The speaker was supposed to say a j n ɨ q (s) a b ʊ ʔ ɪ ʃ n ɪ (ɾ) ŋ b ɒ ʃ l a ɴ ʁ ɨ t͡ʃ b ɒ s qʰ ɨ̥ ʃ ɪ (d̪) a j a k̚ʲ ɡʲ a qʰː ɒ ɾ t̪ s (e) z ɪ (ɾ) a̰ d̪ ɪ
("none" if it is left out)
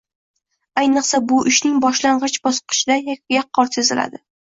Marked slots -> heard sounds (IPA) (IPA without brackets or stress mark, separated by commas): s, none, d̪, e, l